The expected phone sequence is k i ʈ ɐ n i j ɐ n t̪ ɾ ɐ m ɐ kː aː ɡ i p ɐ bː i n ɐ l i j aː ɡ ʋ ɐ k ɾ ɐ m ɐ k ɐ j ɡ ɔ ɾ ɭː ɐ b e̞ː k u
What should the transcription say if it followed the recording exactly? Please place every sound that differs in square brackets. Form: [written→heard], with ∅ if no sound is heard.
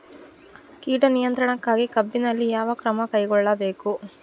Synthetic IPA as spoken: k [i→iː] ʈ ɐ n i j ɐ n t̪ ɾ ɐ [m→ɳ] ɐ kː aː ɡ i [p→k] ɐ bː i n ɐ [l→lː] i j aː [ɡ→∅] ʋ ɐ k ɾ ɐ m ɐ k ɐ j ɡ ɔ [ɾ→∅] ɭː ɐ b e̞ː k u